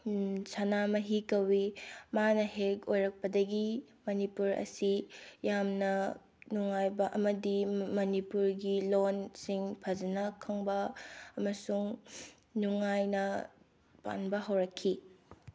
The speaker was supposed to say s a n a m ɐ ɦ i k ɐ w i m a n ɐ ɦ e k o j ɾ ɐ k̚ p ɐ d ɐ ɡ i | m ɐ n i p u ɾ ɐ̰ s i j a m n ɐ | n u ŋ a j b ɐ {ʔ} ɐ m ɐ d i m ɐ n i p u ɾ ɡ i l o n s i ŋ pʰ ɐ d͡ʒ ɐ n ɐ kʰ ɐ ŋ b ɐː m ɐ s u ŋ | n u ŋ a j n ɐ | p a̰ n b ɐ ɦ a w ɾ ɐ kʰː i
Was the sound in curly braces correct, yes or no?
yes